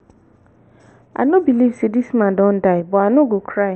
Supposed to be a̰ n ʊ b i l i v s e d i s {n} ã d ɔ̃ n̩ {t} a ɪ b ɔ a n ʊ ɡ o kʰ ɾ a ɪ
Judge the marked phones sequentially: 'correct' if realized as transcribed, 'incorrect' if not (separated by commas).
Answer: incorrect, incorrect